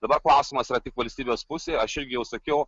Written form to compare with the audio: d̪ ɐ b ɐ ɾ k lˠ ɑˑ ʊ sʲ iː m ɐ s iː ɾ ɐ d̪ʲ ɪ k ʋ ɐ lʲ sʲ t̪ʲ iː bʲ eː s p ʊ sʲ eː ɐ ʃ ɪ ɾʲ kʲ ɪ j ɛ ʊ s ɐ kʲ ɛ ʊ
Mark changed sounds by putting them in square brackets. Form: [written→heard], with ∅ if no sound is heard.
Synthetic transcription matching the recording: d̪ ɐ b ɐ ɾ k lˠ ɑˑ ʊ sʲ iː m ɐ s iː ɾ ɐ [d̪ʲ→t̪ʲ] ɪ k ʋ ɐ lʲ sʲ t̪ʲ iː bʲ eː s p ʊ sʲ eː ɐ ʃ ɪ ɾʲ [kʲ→ɡʲ] ɪ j ɛ ʊ s ɐ kʲ ɛ ʊ